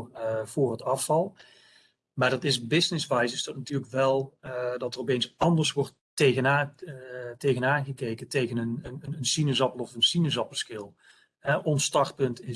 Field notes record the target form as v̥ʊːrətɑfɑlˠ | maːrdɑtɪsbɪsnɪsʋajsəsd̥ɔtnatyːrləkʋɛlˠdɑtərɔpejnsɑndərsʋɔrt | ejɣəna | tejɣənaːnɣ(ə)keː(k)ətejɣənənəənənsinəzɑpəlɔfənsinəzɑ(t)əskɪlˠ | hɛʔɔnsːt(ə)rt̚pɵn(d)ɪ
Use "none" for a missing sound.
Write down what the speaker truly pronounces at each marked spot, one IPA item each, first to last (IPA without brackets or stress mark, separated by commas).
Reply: ə, k, p, ɑ, t